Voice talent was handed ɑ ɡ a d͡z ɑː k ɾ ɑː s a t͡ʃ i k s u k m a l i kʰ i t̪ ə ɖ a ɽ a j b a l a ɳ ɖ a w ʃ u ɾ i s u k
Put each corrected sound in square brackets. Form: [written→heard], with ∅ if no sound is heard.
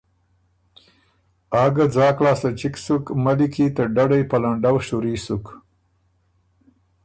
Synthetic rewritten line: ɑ ɡ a d͡z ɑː k [ɾ→l] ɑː s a t͡ʃ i k s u k m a l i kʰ i t̪ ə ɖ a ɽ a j [b→p] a l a ɳ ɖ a w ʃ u ɾ i s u k